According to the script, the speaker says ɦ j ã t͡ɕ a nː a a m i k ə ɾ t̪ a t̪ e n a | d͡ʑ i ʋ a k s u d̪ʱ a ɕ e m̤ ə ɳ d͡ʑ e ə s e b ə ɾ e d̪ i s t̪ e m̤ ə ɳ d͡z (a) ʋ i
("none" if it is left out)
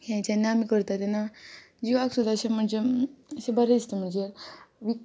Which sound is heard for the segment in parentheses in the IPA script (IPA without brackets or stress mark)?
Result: e